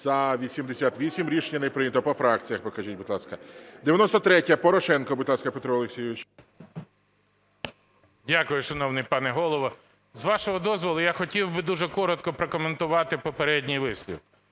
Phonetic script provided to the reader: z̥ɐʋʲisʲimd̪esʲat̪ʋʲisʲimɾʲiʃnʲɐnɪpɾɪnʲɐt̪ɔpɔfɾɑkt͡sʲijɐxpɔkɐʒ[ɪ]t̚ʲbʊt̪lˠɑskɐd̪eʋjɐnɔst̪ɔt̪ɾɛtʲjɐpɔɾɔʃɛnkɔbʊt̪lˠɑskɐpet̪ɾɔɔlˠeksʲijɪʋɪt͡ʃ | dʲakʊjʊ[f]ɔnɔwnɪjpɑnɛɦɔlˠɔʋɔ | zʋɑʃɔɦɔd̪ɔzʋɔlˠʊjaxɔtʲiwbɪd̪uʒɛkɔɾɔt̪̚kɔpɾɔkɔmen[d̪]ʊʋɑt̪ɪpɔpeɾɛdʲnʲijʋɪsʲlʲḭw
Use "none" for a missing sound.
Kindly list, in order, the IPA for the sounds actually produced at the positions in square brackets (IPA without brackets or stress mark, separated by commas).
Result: i, ʃ, t̪